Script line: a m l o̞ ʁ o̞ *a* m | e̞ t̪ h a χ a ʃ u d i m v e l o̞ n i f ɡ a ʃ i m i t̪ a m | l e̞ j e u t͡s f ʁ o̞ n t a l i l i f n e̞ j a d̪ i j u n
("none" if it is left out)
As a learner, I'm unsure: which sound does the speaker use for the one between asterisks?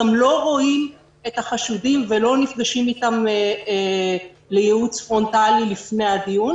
i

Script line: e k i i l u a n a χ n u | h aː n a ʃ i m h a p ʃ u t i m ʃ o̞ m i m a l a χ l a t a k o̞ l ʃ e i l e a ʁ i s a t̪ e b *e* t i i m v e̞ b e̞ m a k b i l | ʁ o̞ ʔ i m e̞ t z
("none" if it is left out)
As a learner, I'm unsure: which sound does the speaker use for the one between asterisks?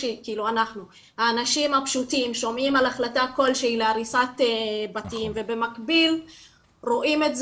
a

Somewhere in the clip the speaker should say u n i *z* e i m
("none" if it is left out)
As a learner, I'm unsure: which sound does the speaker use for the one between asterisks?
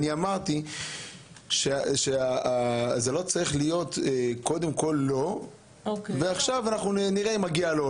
ʁ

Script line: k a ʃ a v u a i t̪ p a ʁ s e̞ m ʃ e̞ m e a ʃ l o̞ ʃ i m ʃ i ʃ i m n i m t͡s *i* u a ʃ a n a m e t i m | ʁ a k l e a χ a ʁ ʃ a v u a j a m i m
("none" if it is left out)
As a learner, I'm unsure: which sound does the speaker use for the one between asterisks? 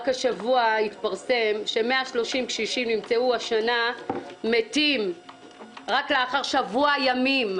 e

